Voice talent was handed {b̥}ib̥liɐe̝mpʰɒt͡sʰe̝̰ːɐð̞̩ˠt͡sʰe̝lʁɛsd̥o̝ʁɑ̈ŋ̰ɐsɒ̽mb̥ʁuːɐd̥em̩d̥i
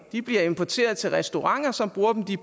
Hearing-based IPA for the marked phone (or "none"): d̥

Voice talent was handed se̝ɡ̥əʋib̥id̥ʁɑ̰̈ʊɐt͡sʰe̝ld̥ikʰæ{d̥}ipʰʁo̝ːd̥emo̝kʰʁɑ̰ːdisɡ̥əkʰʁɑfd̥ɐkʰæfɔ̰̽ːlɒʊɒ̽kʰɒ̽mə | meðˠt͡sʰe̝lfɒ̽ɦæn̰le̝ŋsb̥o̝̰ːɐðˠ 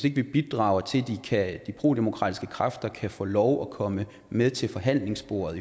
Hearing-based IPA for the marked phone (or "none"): d̥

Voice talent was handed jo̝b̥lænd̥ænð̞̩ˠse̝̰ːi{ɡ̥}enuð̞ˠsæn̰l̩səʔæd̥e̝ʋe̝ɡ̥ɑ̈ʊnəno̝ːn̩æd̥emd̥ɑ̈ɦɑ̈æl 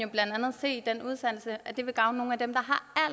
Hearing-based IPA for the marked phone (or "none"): d̥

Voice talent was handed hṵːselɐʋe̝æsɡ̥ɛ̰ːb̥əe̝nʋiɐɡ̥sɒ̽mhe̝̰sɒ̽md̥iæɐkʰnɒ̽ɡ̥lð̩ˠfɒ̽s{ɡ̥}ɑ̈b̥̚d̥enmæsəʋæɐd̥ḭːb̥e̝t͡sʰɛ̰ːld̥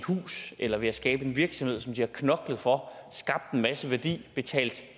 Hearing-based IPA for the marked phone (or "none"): ɡ̥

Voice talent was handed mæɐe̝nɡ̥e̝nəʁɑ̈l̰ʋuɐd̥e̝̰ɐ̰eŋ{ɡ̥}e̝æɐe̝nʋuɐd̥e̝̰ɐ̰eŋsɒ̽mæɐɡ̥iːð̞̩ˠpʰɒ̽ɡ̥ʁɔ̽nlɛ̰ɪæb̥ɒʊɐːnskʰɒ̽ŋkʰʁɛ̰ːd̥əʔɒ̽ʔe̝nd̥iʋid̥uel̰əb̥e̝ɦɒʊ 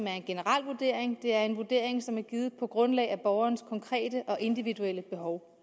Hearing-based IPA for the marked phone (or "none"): d̥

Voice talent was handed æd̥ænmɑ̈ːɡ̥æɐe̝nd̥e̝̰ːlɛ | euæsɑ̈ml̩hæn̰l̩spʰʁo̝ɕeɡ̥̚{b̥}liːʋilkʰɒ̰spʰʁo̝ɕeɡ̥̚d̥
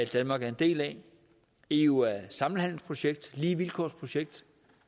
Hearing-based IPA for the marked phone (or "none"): d̥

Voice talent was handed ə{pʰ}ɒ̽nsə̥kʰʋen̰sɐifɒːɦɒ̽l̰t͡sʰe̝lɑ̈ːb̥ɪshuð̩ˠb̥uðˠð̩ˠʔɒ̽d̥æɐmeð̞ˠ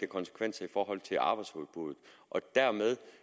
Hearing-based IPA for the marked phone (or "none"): kʰ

